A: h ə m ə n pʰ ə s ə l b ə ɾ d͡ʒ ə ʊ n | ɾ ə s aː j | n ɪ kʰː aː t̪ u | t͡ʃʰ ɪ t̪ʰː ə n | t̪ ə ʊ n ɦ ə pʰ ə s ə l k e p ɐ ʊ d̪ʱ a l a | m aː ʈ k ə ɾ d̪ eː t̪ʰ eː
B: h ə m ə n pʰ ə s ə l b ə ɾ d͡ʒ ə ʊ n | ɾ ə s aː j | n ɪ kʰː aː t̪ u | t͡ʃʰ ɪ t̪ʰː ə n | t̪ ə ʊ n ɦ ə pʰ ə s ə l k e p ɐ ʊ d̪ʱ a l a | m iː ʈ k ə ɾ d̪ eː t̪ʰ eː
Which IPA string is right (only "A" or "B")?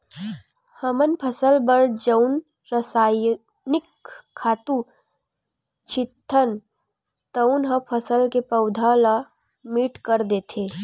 B